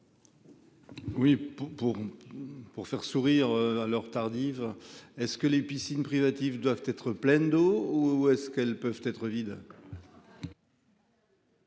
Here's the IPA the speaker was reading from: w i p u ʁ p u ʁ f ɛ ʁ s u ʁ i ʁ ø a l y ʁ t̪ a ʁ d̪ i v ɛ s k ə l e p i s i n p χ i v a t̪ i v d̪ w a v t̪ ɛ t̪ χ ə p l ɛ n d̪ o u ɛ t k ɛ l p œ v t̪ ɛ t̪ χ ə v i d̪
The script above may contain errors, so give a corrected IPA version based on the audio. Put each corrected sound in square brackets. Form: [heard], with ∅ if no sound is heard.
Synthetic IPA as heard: w i p u ʁ p u ʁ f ɛ ʁ s u ʁ i ʁ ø a l [œ] ʁ t̪ a ʁ d̪ i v ɛ s k ə l e p i s i n p χ i v a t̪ i v d̪ w a v t̪ ɛ t̪ χ ə p l ɛ n d̪ o u ɛ [s] k ɛ l p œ v t̪ ɛ t̪ χ ə v i d̪